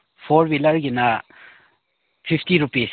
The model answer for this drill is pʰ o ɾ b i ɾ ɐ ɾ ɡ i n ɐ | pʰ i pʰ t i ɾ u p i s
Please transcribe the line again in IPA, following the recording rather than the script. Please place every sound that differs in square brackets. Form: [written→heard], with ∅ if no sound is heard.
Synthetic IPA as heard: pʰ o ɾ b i [ɾ→l] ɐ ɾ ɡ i n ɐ | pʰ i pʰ t i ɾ u p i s